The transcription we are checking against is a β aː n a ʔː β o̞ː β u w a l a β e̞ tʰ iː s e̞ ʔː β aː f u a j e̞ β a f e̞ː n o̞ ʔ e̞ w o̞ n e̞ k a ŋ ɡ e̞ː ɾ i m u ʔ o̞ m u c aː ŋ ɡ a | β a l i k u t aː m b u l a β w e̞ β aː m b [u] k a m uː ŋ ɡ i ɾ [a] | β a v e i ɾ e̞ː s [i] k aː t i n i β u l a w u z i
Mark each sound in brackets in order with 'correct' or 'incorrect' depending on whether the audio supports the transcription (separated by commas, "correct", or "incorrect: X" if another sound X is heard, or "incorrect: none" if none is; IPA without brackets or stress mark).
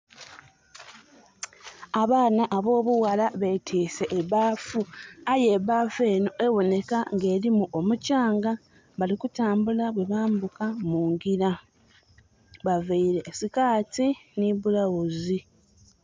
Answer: correct, correct, correct